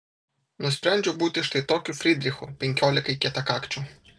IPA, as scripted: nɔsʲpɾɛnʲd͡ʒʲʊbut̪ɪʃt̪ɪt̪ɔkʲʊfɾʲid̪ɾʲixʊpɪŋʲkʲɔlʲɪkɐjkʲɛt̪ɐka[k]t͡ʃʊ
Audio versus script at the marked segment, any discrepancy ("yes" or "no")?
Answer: no